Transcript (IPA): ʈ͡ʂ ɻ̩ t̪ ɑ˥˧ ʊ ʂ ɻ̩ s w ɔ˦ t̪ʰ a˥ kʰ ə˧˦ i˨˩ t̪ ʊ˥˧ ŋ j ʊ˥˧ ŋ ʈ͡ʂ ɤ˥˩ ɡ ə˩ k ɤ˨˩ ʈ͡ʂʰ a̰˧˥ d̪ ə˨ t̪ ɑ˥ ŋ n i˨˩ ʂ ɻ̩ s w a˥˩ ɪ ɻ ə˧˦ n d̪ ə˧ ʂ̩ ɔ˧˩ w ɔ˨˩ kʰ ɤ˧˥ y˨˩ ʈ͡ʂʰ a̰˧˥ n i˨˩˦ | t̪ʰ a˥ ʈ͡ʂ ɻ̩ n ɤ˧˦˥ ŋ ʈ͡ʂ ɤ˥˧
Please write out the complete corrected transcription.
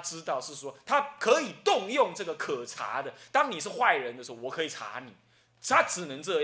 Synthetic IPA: ʈ͡ʂ ɻ̩ t̪ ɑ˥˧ ʊ ʂ ɻ̩ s w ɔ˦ t̪ʰ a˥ kʰ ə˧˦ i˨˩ t̪ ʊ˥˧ ŋ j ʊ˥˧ ŋ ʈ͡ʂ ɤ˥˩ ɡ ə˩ kʰ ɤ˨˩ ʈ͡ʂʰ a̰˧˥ d̪ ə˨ t̪ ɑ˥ ŋ n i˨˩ ʂ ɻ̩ x w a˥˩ ɪ ɻ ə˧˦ n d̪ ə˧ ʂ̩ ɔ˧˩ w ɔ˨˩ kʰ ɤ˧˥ i˨˩ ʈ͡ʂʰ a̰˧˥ n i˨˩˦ | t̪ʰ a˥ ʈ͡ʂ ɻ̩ n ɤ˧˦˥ ŋ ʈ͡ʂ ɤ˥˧